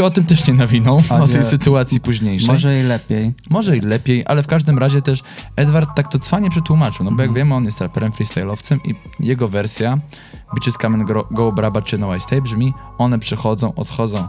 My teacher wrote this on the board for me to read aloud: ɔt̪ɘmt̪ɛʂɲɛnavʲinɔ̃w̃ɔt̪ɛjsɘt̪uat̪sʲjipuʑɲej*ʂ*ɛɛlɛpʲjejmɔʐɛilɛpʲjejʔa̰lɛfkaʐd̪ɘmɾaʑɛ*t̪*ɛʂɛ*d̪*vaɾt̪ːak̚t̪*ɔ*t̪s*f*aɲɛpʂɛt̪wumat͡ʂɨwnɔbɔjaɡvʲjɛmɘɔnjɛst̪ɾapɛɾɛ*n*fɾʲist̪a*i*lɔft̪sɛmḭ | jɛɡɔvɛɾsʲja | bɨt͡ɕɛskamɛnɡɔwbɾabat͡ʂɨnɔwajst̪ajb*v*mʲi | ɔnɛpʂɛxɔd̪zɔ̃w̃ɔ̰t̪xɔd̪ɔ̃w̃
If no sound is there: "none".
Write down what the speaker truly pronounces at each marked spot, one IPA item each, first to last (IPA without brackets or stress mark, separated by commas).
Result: ʂ, t̪, d̪, ɔ, f, m, j, ʐ